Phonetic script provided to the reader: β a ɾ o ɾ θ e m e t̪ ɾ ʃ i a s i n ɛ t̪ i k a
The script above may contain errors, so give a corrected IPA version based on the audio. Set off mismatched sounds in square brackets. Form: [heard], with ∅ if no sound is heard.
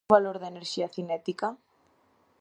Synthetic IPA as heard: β a [l] o ɾ [ð] e [n] e [∅] ɾ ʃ i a [θ] i n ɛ t̪ i k a